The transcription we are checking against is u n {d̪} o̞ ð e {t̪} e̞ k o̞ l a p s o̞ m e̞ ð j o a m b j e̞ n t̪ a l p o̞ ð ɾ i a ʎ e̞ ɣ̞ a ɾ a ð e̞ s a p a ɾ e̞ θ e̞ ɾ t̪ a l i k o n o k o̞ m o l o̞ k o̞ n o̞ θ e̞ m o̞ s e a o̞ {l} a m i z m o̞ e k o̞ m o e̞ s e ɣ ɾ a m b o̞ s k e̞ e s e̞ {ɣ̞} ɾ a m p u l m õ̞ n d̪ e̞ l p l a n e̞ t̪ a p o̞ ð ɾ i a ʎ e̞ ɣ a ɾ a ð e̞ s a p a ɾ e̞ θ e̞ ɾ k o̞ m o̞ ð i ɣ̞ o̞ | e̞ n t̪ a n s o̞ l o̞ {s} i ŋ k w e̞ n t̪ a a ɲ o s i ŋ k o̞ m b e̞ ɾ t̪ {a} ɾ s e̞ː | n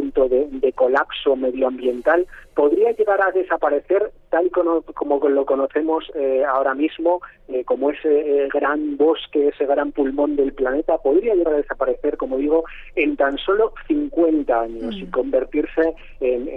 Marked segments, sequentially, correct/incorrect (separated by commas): incorrect, incorrect, incorrect, correct, incorrect, incorrect